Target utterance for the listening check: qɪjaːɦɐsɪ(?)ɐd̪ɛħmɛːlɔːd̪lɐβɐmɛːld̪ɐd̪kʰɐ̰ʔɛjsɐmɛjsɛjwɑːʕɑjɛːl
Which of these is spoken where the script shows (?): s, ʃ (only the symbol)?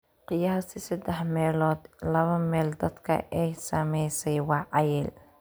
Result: s